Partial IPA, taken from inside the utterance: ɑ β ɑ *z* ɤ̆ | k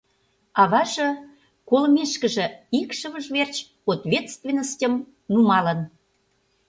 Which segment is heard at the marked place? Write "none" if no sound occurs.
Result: ʒ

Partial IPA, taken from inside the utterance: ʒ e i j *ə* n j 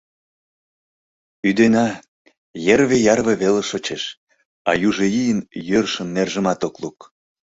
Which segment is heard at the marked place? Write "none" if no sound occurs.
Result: ə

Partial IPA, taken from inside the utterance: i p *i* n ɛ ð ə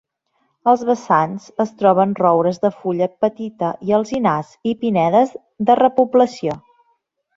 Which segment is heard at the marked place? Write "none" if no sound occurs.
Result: i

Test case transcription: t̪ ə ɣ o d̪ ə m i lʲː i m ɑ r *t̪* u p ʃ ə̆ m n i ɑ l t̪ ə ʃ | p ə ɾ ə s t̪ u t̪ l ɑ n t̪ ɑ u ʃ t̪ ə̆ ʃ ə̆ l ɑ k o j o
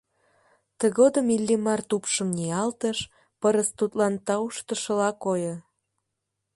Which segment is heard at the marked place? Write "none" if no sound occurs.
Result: t̪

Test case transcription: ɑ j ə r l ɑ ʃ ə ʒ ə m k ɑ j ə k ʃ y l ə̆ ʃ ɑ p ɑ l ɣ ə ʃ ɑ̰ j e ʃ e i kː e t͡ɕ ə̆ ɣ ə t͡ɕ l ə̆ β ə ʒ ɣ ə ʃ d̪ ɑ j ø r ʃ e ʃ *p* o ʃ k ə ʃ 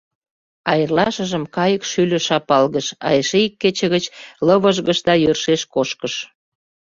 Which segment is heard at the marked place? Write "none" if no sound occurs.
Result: k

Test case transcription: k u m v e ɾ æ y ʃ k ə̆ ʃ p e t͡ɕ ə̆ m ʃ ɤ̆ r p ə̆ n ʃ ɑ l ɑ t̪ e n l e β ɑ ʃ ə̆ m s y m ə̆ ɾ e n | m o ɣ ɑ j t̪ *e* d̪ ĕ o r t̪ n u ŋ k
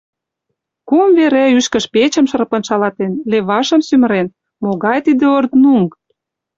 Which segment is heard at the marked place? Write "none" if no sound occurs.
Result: i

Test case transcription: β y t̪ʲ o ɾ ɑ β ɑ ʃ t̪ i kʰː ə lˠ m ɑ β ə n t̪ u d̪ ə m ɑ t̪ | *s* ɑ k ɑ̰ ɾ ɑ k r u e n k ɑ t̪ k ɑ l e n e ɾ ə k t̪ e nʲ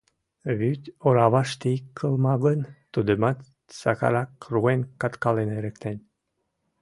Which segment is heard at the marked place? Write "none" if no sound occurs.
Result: s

